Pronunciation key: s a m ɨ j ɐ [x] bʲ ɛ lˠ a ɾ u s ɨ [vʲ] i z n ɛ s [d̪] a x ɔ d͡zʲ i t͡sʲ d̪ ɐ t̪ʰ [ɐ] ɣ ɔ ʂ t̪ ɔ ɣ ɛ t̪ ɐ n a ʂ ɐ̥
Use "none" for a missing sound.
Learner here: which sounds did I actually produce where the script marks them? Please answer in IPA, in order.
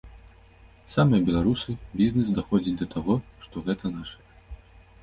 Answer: none, bʲ, d̪, a

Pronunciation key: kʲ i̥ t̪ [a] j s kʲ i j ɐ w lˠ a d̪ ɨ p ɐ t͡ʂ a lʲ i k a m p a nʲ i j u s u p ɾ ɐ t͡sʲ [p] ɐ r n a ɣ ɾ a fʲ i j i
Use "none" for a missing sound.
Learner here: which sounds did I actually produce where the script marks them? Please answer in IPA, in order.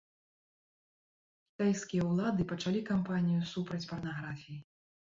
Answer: a, p

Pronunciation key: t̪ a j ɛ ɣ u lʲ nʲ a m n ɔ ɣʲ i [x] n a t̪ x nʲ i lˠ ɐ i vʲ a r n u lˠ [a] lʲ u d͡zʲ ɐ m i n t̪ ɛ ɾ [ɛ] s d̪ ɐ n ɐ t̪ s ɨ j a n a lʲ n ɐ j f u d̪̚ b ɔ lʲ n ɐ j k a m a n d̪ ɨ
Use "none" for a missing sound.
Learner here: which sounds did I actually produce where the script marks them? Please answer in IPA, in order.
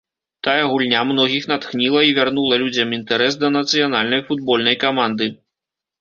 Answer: x, ɐ, ɛ

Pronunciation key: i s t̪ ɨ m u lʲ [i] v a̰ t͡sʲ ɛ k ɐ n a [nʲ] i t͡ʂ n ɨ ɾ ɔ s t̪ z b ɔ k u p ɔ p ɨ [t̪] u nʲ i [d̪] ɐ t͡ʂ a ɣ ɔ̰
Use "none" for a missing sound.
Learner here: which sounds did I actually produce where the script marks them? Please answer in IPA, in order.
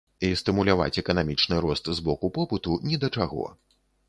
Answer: a, mʲ, t̪, d̪

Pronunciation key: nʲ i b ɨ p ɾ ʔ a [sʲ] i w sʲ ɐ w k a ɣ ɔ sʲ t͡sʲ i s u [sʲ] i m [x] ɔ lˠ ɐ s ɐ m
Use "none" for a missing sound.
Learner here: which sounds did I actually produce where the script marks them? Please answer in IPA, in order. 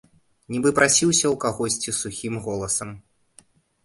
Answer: sʲ, xʲ, ɣ

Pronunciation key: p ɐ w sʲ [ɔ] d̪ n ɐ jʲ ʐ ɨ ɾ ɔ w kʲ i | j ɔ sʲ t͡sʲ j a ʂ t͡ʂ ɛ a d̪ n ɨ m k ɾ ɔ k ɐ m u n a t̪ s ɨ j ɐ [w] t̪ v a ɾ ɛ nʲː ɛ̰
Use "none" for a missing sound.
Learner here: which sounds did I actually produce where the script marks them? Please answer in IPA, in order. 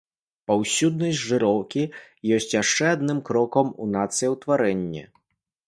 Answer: u, w

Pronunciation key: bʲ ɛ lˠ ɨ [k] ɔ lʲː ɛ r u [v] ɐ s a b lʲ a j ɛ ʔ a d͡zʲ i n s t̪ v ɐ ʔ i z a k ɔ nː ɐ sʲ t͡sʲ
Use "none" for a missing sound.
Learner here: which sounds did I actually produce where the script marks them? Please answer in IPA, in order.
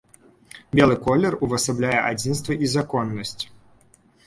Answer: k, v

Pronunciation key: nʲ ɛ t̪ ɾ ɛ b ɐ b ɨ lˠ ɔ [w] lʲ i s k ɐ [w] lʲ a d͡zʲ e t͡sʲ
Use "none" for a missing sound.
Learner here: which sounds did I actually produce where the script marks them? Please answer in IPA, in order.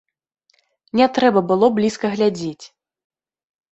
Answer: b, ɣ

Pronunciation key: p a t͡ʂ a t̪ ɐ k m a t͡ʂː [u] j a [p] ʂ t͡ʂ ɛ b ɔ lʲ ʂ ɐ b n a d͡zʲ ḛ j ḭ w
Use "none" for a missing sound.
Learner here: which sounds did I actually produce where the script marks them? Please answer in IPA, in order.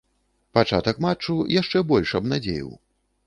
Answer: u, none

